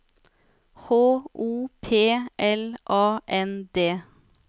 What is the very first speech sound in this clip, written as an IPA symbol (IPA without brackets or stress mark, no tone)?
h